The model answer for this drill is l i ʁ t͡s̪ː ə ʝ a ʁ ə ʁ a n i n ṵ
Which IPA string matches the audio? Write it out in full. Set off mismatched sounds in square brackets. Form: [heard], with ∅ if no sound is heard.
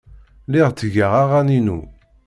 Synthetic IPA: l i ʁ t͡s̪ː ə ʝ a ʁ [a] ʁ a n i n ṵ